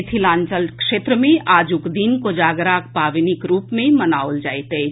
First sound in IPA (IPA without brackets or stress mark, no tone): t̪ʰ